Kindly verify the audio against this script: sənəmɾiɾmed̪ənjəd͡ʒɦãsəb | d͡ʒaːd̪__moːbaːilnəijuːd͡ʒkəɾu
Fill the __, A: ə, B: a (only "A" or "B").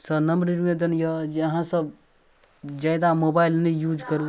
B